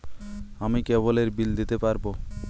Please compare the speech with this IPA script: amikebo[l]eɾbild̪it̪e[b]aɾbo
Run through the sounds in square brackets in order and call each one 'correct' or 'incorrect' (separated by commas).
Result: correct, incorrect